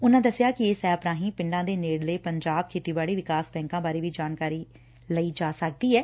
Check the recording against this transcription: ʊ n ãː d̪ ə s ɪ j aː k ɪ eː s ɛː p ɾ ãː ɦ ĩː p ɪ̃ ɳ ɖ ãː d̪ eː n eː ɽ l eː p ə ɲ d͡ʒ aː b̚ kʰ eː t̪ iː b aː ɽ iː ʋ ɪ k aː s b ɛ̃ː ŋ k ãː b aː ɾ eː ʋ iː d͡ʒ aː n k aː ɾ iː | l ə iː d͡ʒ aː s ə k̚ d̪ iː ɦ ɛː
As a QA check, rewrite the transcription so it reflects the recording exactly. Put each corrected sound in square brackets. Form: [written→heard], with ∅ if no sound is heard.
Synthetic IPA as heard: ʊ n ãː d̪ ə s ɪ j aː k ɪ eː s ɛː p ɾ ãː ɦ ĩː p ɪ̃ ɳ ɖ ãː d̪ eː n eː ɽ l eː p ə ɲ d͡ʒ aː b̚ kʰ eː t̪ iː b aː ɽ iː ʋ ɪ k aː s b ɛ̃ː ŋ k ãː b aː ɾ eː ʋ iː d͡ʒ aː n k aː ɾ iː | l ə iː d͡ʒ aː s ə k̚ d̪ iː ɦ ɛː